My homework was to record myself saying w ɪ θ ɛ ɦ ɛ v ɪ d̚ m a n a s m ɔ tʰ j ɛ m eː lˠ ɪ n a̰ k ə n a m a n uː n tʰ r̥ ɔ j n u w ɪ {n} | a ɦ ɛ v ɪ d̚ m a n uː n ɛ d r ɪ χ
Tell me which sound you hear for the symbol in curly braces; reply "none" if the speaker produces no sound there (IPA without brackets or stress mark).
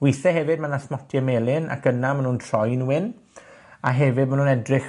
n